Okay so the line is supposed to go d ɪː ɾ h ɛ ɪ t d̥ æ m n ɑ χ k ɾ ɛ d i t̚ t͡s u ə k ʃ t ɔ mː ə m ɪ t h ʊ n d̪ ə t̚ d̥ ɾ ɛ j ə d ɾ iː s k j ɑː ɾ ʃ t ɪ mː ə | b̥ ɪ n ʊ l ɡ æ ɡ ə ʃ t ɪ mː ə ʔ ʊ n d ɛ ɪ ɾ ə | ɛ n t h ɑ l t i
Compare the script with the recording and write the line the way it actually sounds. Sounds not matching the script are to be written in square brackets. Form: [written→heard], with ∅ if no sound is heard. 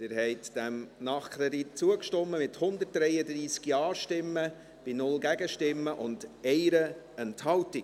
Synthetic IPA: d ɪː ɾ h ɛ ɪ t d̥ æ m n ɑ χ k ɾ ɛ d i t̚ t͡s u ə k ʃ t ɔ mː ə m ɪ t h ʊ n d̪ ə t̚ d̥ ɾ ɛ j ə d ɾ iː s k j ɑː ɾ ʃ t ɪ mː ə | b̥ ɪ n ʊ l ɡ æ ɡ ə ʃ t ɪ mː ə ʔ ʊ n d ɛ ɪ ɾ ə | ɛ n t h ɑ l t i